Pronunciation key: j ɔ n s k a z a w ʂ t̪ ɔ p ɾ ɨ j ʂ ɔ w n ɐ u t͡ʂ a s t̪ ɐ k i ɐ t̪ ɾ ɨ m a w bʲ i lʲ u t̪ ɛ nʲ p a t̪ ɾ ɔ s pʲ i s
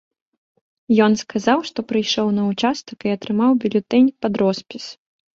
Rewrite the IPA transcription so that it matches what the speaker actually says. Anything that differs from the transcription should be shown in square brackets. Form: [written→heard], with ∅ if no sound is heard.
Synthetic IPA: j ɔ n s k a z a w ʂ t̪ ɔ p ɾ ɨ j ʂ ɔ w n ɐ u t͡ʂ a s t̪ ɐ k i ɐ t̪ ɾ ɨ m a w bʲ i lʲ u t̪ ɛ nʲ p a [t̪→d̪] ɾ ɔ s pʲ i s